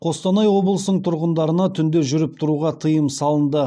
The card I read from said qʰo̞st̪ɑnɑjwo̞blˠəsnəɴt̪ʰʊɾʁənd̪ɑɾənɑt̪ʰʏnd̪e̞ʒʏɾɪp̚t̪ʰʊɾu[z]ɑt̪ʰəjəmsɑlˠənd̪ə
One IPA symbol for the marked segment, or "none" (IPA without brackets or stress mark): ʁ